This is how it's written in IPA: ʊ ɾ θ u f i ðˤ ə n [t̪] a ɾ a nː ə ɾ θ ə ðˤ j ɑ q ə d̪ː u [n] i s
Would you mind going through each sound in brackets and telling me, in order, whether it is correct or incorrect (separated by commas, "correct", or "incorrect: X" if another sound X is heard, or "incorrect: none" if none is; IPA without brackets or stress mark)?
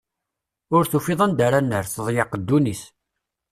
incorrect: d̪, correct